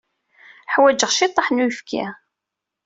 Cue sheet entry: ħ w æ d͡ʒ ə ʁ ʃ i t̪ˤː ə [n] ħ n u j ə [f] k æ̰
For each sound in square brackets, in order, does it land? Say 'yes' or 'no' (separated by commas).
no, yes